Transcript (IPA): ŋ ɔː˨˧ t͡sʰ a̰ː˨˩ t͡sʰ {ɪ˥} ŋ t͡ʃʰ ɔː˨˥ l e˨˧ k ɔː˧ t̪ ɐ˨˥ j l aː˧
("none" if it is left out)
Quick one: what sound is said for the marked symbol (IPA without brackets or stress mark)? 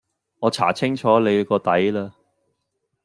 ɪ˥